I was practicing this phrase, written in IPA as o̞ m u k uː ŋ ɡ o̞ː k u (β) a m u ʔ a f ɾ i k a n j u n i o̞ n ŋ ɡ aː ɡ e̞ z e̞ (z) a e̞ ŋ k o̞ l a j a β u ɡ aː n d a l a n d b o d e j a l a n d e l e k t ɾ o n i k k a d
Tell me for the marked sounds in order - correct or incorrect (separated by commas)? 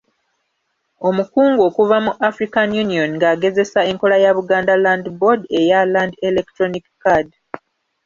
incorrect, incorrect